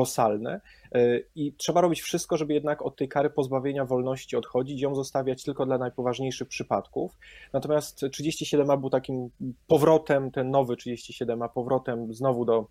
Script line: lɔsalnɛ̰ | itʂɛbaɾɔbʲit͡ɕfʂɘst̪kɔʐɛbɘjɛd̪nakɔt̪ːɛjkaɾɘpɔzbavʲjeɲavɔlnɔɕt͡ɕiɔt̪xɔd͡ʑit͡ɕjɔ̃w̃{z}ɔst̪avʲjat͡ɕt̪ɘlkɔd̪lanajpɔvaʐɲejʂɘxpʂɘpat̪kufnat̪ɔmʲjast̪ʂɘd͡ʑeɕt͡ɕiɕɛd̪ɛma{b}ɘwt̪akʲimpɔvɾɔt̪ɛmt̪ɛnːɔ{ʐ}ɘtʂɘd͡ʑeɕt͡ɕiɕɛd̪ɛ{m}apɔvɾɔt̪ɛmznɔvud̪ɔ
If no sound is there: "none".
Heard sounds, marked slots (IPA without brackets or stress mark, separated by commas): z, b, v, m